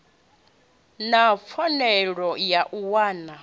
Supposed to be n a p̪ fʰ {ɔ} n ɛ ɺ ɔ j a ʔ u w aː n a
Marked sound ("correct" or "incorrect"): correct